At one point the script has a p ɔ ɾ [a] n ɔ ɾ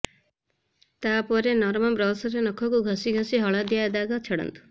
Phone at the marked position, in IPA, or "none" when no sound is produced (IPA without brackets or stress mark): e